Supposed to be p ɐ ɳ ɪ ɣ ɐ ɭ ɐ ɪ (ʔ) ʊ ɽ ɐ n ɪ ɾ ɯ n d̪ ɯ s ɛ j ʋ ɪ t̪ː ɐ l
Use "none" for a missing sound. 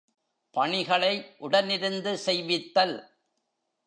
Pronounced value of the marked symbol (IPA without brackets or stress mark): ʔ